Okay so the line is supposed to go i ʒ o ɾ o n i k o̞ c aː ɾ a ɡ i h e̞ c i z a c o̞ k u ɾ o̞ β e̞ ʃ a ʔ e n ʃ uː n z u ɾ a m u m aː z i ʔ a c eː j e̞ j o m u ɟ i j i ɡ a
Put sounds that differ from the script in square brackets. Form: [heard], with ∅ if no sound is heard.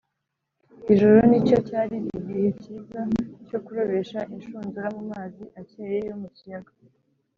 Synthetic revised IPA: i ʒ o ɾ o n i [c] o̞ c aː ɾ [i] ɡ i h e̞ c i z a c o̞ k u ɾ o̞ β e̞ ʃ a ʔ [i] n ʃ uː n z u ɾ a m u m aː z i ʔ a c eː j e̞ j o m u [c] i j [a] ɡ a